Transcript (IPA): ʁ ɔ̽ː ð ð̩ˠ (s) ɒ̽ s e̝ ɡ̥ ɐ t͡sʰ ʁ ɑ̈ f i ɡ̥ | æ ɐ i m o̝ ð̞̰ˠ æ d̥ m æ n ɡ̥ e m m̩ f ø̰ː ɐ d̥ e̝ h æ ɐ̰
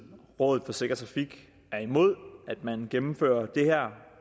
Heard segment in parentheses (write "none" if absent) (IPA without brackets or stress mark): f